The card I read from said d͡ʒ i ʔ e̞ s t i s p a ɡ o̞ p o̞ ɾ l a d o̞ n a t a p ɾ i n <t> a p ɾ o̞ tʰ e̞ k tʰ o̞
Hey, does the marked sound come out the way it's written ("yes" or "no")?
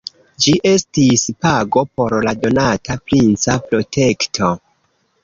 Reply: no